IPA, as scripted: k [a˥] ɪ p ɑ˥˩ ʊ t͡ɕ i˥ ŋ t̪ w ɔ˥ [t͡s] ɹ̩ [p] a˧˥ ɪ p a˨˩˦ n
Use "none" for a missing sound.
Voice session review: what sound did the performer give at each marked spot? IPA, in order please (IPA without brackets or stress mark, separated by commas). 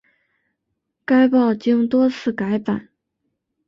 a˥, t͡sʰ, k